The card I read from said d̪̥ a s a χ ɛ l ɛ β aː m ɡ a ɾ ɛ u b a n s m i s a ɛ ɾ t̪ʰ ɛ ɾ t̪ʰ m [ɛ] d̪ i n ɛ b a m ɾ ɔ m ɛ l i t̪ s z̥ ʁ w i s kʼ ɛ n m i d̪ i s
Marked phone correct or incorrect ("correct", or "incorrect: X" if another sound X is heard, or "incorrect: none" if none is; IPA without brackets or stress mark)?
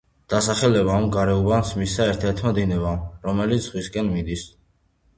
incorrect: a